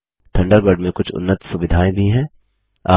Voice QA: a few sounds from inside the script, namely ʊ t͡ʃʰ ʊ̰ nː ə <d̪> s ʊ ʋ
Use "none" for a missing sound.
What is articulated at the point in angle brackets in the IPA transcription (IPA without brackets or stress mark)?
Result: t̪